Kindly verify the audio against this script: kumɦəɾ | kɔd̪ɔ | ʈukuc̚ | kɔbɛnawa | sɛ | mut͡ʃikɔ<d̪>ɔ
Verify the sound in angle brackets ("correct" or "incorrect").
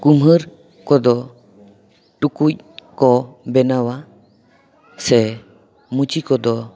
correct